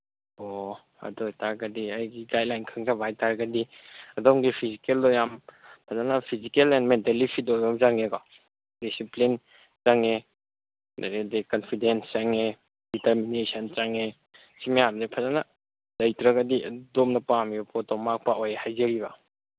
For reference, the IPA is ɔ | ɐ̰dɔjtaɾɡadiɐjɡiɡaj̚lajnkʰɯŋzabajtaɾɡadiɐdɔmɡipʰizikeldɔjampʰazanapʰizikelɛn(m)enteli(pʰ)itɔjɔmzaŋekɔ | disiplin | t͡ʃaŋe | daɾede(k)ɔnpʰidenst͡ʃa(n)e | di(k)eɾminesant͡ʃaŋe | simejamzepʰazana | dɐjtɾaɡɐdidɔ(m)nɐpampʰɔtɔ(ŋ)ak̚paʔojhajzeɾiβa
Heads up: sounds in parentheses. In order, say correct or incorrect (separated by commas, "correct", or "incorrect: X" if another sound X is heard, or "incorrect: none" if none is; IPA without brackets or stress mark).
correct, correct, correct, incorrect: ŋ, incorrect: t, correct, incorrect: m